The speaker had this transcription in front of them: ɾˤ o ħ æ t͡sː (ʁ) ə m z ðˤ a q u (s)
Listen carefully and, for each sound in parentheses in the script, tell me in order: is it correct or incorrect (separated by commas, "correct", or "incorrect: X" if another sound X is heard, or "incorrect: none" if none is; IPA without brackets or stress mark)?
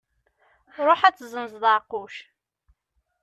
incorrect: z, incorrect: ʃ